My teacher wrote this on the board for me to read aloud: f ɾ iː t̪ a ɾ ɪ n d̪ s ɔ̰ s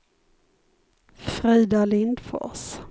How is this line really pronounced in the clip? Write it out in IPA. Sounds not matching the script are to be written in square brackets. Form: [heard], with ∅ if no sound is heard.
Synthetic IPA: f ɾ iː [d̪] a [l] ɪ n d̪ [f] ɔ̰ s